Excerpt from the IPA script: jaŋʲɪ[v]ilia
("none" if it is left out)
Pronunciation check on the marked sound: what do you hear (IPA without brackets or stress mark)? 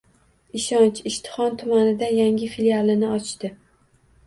f